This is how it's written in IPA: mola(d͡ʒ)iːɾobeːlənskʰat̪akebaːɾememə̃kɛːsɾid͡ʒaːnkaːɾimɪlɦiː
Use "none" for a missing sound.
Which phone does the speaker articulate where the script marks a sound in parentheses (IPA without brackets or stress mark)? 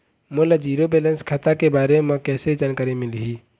d͡ʒ